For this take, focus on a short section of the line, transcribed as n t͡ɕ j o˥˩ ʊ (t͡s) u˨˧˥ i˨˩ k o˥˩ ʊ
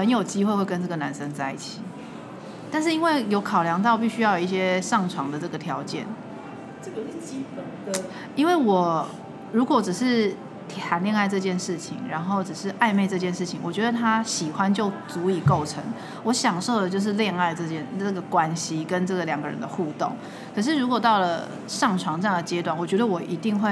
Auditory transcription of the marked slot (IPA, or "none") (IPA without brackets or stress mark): t͡s